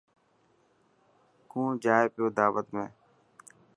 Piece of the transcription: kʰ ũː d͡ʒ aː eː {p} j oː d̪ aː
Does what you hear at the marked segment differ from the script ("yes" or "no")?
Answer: no